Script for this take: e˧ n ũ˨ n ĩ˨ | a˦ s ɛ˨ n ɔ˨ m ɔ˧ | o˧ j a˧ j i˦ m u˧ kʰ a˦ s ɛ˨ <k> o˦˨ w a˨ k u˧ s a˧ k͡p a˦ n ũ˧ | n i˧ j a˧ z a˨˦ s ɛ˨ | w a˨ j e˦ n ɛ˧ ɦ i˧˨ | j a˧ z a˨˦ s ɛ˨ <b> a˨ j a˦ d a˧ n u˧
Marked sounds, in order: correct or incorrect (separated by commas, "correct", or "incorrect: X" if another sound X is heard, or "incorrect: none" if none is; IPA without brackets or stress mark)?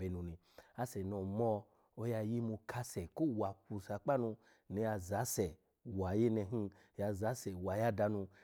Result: correct, incorrect: w